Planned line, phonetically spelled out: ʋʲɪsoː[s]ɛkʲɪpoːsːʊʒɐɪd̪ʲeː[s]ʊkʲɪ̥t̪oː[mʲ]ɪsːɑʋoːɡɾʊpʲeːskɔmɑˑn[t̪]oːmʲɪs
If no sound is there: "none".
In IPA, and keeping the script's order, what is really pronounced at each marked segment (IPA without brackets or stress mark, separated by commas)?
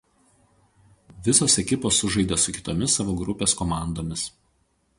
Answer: s, s, mʲ, d̪